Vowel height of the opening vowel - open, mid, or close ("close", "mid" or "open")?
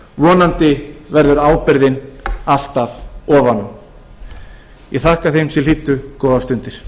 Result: mid